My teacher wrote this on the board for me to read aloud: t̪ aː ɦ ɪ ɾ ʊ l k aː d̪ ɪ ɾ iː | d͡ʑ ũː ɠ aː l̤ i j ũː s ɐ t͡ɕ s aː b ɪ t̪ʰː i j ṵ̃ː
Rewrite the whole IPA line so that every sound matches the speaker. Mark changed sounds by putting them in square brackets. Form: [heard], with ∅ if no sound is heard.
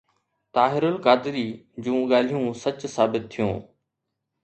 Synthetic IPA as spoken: t̪ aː ɦ ɪ ɾ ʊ l k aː d̪ ɪ ɾ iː | d͡ʑ ũː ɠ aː l̤ i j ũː s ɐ t͡ɕ s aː b ɪ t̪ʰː i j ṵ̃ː